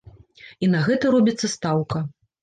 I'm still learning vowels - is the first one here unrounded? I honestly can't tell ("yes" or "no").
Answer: yes